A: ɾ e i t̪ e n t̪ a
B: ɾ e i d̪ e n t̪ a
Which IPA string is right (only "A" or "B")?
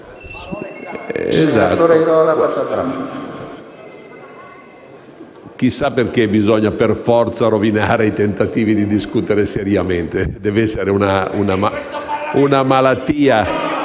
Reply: A